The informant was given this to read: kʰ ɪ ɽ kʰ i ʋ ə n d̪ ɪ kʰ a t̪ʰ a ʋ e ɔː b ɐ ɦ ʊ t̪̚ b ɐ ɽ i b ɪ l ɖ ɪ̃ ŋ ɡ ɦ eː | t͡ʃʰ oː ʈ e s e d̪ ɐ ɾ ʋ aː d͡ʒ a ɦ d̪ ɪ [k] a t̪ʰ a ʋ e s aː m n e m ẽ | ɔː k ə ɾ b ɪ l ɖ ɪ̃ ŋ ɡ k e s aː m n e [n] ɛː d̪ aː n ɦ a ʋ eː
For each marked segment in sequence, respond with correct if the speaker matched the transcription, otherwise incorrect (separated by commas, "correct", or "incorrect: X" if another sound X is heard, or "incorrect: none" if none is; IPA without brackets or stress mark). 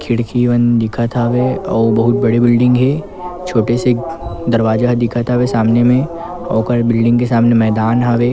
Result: incorrect: kʰ, incorrect: m